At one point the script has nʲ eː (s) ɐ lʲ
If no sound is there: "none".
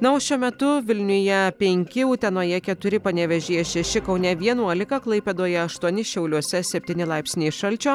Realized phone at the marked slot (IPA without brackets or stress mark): ʃ